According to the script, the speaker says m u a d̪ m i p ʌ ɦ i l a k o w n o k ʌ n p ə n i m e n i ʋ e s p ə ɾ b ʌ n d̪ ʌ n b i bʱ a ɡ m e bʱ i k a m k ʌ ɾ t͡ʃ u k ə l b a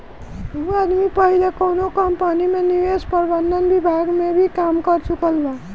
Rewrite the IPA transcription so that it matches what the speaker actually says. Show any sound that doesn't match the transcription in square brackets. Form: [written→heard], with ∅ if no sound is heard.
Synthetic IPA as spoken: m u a d̪ m i p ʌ ɦ i l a k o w n o k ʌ [n→m] p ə n i m e n i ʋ e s p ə ɾ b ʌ n d̪ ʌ n b i bʱ a ɡ m e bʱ i k a m k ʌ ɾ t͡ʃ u k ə l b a